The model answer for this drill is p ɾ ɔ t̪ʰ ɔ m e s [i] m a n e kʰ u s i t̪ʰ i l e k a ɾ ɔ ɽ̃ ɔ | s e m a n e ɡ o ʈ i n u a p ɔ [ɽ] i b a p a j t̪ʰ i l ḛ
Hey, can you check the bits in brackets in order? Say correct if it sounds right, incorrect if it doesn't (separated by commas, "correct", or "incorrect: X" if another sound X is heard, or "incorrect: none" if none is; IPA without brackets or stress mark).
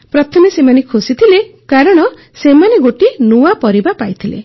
incorrect: e, incorrect: ɾ